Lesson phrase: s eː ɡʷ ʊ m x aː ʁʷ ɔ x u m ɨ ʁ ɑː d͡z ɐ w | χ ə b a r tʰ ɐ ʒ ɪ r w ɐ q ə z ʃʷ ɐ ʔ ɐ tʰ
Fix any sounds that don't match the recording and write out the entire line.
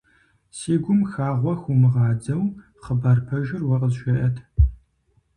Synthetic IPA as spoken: s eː ɡʷ ʊ m x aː ʁʷ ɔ x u m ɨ ʁ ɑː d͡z ɐ w | χ ə b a r pʰ ɐ ʒ ɪ r w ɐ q ə z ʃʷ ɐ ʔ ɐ tʰ